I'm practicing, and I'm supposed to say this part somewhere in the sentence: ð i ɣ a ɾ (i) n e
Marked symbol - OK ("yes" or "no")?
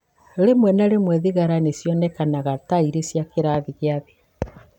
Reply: no